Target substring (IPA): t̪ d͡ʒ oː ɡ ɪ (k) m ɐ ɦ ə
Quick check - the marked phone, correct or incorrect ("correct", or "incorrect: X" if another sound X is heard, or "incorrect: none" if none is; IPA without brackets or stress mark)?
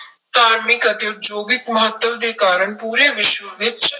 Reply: correct